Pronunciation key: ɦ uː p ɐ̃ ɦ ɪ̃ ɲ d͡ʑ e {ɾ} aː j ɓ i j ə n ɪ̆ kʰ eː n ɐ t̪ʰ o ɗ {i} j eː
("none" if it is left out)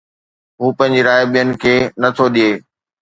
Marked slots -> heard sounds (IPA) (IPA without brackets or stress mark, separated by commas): ɾ, i